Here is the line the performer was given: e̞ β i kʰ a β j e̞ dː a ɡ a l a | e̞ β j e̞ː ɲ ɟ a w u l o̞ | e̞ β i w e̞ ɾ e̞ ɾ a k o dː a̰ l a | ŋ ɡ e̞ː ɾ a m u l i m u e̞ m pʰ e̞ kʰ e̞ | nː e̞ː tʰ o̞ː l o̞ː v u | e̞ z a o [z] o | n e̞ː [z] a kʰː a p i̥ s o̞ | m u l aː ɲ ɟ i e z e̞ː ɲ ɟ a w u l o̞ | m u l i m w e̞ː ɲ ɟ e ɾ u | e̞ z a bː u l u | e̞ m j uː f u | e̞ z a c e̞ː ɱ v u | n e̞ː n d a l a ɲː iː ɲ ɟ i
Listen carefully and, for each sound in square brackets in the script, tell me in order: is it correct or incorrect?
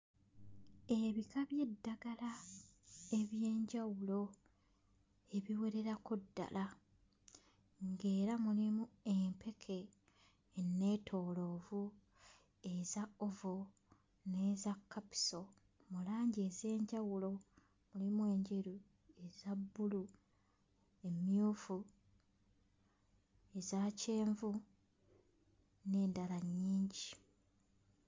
incorrect, correct

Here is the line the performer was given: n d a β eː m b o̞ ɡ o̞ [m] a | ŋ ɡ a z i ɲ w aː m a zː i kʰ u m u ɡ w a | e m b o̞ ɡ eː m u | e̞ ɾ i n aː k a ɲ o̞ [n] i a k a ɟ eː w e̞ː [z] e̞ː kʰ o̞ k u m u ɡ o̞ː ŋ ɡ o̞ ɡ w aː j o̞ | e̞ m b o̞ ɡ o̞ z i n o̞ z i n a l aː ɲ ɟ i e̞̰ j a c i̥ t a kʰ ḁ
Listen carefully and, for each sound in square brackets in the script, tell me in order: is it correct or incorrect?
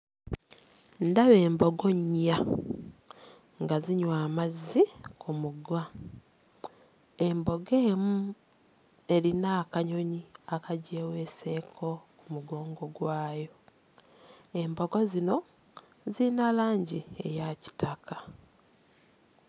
incorrect, incorrect, incorrect

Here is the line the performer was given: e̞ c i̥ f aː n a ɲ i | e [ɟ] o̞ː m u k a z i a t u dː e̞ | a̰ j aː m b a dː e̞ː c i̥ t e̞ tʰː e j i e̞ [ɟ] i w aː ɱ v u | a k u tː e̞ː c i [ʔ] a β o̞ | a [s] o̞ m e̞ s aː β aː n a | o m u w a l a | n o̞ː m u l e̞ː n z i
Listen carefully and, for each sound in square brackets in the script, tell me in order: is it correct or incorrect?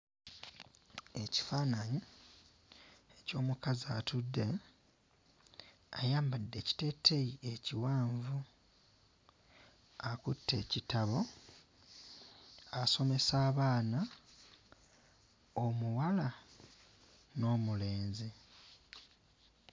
incorrect, incorrect, incorrect, correct

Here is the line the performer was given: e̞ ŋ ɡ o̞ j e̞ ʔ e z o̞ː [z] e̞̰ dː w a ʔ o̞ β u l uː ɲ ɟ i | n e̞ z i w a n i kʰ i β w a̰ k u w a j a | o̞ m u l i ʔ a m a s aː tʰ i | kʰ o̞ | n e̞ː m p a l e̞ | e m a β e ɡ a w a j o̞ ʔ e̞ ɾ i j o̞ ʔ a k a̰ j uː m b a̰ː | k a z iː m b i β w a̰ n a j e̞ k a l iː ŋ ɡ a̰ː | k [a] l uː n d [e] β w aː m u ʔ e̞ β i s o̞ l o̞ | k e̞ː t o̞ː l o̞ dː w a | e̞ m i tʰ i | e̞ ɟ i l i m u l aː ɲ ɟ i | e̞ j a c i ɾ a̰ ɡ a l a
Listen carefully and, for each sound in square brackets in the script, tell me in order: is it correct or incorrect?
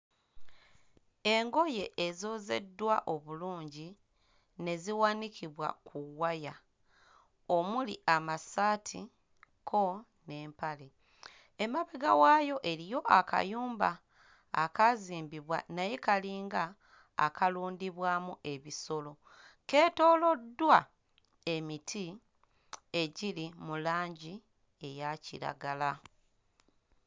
correct, correct, incorrect

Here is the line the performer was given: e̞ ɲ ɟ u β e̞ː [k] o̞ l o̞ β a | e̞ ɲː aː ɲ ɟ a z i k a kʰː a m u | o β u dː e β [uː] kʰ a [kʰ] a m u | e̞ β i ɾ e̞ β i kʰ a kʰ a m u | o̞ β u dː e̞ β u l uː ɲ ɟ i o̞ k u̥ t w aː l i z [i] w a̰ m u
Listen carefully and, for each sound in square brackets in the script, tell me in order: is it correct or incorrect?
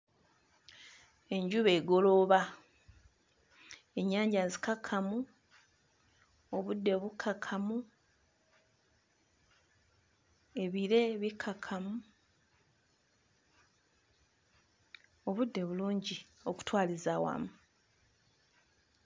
incorrect, incorrect, correct, incorrect

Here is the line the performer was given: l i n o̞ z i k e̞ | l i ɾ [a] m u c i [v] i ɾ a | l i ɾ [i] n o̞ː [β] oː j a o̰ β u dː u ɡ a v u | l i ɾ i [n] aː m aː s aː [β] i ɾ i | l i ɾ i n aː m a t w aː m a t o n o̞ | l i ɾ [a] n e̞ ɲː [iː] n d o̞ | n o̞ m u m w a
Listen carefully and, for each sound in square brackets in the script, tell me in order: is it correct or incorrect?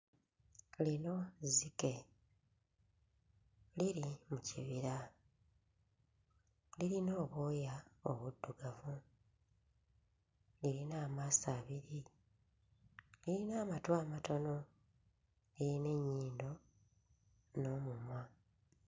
incorrect, incorrect, correct, correct, correct, correct, incorrect, correct

